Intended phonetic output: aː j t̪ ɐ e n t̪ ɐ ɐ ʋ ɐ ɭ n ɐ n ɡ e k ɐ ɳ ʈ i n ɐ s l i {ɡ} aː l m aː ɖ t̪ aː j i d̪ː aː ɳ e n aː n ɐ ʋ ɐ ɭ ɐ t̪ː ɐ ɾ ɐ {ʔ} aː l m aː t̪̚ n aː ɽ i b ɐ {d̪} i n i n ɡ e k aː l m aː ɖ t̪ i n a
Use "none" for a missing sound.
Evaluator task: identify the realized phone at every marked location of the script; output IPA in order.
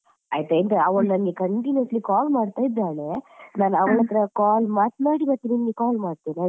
k, k, t̪

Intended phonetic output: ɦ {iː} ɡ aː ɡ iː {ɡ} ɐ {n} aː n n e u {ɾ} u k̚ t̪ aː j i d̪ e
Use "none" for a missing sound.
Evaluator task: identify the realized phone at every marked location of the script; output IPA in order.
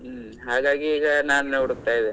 aː, ɡ, n, ɽ

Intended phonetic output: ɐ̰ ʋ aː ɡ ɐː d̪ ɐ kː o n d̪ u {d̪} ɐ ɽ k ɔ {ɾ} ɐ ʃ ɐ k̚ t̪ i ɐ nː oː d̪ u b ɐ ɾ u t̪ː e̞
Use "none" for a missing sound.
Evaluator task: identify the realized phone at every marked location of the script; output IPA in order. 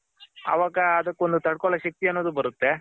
t̪, ɭ

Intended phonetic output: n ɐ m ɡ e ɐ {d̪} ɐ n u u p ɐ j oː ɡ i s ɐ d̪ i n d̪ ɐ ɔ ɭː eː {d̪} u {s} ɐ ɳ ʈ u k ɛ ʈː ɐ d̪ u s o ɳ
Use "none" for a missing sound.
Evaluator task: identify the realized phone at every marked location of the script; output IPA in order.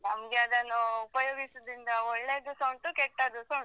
d̪, d̪, s

